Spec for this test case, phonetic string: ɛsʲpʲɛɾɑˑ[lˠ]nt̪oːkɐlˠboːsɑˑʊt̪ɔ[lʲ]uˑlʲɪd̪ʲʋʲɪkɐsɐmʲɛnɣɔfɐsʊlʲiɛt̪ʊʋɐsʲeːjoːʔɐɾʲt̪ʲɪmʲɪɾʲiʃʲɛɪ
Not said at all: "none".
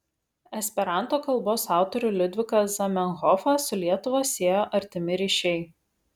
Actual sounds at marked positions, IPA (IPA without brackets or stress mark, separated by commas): none, ɾʲ